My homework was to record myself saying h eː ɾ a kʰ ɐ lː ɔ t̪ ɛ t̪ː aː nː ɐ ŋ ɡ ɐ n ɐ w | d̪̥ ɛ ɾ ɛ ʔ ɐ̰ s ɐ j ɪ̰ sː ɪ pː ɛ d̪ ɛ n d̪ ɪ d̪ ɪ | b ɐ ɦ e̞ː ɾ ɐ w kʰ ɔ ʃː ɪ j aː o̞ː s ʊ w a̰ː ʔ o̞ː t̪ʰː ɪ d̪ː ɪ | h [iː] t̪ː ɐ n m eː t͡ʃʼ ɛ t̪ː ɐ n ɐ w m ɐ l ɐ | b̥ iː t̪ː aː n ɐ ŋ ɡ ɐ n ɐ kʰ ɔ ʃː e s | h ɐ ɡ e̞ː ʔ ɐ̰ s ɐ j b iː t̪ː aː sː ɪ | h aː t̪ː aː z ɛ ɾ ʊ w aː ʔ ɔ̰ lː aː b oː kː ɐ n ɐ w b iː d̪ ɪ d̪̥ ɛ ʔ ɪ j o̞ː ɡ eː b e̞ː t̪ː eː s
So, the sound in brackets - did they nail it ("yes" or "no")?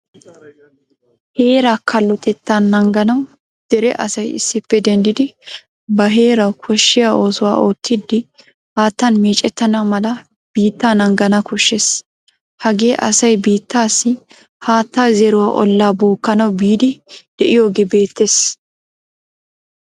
no